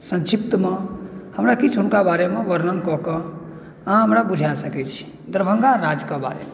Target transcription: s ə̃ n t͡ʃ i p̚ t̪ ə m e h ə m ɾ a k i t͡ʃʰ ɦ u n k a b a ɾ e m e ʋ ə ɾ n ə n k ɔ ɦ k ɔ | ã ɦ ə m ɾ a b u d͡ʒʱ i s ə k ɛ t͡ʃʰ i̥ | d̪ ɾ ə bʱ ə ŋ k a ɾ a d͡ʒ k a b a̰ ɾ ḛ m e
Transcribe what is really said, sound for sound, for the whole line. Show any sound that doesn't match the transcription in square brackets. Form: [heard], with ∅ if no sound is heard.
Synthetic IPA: s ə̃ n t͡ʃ i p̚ t̪ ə m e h ə m ɾ a k i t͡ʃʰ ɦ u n k a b a ɾ e m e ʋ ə ɾ n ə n k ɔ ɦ k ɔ | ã ɦ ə m ɾ a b u d͡ʒʱ [a] s ə k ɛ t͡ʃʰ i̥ | d̪ ɾ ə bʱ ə ŋ [ɡ] a ɾ a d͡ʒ k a b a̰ ɾ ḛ m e